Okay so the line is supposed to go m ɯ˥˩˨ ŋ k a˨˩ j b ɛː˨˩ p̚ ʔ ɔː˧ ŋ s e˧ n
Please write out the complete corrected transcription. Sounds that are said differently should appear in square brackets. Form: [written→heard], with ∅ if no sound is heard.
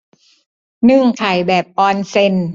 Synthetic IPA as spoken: [m→n] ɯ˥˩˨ ŋ [k→kʰ] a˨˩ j b ɛː˨˩ p̚ ʔ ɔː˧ [ŋ→n] s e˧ n